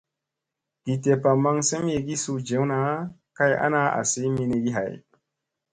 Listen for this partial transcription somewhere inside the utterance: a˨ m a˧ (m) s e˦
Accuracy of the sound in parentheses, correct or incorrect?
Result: incorrect